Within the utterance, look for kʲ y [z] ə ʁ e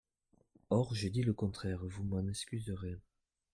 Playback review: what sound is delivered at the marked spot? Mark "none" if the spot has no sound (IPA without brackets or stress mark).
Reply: z